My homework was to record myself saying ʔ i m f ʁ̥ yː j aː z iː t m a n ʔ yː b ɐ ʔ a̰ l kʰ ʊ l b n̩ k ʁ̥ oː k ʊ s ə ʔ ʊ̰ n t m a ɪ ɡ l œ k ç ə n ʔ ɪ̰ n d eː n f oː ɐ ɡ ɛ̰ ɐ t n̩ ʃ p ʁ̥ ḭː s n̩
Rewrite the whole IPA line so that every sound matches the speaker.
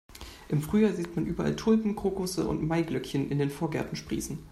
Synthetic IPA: ʔ ɪ m f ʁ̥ yː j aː z iː t m a n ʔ yː b ɐ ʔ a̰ l tʰ ʊ l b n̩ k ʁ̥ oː k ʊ s ə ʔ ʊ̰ n t m a ɪ ɡ l œ k ç ə n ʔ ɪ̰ n d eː n f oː ɐ ɡ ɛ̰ ɐ t n̩ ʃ p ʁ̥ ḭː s n̩